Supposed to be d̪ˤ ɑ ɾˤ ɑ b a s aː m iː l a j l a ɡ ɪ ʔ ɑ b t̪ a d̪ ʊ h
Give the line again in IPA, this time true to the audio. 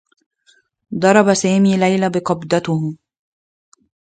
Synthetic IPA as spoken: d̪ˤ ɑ ɾˤ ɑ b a s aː m iː l a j l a b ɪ q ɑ b d̪ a t̪ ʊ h